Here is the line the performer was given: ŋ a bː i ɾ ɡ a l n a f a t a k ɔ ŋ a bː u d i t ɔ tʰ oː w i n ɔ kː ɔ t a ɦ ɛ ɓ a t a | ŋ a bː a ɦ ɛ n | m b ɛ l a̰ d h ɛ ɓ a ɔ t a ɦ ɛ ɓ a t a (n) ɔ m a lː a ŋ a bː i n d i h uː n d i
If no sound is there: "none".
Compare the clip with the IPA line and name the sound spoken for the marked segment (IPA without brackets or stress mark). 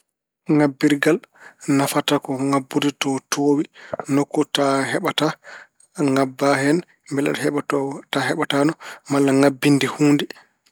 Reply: n